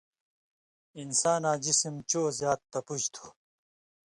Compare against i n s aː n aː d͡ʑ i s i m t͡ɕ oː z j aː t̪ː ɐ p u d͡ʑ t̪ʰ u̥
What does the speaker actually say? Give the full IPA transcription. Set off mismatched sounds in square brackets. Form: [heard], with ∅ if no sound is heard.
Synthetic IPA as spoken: i n s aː n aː d͡ʑ i s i m t͡ɕ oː z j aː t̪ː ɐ p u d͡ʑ t̪ʰ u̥